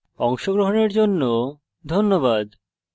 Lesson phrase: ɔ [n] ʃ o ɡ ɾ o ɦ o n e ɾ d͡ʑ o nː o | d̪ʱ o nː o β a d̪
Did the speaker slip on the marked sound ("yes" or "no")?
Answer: yes